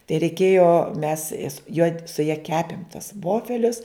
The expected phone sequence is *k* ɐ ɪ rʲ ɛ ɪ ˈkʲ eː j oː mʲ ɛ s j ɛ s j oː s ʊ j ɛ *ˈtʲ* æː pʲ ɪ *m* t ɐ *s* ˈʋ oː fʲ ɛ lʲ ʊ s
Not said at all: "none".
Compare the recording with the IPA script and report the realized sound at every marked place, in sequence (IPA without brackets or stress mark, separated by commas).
t, kʲ, m, s